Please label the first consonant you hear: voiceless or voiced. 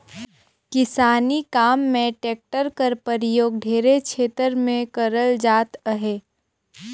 voiceless